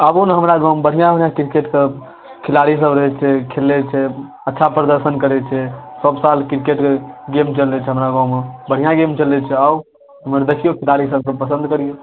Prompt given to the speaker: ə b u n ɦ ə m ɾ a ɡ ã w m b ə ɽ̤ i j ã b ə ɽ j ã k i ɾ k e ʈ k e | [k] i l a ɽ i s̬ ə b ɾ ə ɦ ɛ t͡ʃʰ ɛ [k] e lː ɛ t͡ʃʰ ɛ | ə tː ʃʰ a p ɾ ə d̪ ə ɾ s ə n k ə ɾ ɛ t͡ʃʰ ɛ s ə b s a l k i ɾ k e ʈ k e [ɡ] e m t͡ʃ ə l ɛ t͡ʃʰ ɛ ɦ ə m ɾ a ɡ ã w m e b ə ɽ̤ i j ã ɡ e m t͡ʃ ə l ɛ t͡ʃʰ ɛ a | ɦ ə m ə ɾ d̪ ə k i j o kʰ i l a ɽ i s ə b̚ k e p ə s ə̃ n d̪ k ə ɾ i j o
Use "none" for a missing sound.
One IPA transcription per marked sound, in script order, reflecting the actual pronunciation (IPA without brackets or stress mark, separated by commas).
kʰ, kʰ, ɡ